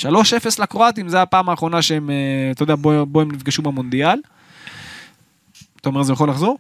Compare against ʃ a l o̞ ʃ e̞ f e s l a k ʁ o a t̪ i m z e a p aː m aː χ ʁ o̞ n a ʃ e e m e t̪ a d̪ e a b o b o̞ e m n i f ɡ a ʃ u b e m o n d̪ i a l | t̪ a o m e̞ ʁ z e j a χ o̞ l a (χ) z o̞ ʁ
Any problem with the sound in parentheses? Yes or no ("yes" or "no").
no